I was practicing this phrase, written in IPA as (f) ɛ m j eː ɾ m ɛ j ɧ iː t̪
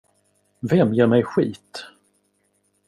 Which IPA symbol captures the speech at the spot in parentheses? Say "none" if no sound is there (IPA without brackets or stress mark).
v